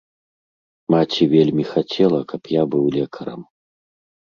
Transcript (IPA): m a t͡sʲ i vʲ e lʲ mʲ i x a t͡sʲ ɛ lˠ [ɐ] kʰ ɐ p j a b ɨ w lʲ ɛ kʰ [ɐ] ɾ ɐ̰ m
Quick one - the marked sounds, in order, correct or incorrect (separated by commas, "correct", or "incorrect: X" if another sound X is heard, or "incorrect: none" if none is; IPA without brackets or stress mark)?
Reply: correct, correct